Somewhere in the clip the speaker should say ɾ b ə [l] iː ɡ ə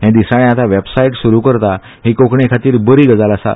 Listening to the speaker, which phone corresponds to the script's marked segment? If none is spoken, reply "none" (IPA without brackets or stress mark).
ɾ